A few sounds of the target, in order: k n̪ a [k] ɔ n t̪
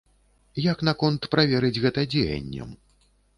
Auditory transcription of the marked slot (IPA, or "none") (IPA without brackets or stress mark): k